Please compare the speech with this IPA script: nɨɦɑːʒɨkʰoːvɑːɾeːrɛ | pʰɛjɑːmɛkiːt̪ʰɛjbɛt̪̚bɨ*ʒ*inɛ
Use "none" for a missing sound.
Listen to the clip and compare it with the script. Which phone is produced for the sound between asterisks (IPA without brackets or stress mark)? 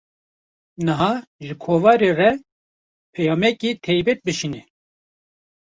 ʃ